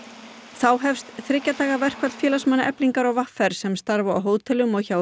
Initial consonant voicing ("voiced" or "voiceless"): voiceless